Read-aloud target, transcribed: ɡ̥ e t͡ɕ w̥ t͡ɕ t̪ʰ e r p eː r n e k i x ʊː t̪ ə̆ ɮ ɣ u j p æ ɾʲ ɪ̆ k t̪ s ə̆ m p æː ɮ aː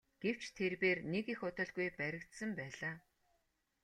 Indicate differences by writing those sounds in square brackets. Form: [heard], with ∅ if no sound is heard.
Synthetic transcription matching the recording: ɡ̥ e [∅] w̥ t͡ɕ t̪ʰ e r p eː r n e k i x [ʊ] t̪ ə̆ ɮ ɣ u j p æ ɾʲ ɪ̆ k t̪ s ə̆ m p æː ɮ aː